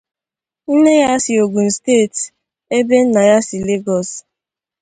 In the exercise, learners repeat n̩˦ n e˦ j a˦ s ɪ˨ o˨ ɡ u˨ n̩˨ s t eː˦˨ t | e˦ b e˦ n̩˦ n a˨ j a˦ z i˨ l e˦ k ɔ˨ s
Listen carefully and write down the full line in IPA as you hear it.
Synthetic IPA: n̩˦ n e˦ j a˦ s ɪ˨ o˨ ɡ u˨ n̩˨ s t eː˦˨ t | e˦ b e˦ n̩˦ n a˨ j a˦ s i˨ l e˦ ɡ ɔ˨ s